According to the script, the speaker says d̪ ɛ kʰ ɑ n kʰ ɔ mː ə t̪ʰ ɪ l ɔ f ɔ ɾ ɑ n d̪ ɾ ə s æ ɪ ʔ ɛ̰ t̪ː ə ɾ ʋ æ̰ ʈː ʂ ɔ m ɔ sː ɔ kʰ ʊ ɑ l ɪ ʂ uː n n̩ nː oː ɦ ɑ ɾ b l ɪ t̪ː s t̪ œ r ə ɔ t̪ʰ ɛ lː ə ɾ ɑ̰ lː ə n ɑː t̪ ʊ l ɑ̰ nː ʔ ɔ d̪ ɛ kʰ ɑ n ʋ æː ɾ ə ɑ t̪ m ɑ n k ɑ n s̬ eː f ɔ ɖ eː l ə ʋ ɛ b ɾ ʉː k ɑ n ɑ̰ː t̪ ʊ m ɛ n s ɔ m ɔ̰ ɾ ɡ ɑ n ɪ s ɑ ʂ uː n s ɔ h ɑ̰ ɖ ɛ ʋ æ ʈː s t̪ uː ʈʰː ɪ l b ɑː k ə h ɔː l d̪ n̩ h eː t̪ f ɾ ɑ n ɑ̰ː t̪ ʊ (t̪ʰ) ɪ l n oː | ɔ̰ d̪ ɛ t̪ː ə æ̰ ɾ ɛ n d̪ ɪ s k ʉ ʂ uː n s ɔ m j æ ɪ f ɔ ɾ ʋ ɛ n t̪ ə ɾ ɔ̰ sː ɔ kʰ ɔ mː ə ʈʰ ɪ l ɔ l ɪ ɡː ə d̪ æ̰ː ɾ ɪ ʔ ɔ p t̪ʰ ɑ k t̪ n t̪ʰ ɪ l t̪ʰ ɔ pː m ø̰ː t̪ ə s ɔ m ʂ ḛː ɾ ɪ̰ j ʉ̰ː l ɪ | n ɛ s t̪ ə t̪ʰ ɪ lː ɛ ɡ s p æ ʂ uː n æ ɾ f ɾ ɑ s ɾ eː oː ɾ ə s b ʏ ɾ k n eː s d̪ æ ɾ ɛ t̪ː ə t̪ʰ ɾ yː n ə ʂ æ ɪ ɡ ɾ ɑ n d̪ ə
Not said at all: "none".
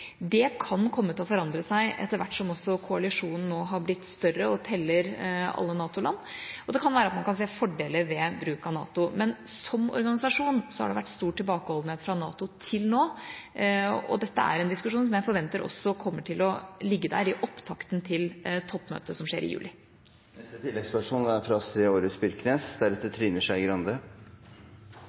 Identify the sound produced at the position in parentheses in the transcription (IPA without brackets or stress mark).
t̪ʰ